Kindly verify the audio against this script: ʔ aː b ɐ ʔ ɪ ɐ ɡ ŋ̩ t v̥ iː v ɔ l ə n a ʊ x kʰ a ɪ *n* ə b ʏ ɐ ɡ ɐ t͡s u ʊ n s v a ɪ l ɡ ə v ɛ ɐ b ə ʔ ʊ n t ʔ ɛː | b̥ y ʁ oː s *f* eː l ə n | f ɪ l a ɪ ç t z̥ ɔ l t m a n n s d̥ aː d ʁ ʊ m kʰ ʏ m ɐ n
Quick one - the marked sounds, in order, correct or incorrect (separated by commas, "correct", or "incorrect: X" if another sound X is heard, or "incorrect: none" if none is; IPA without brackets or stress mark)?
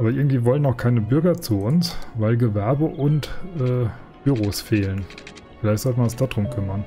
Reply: correct, correct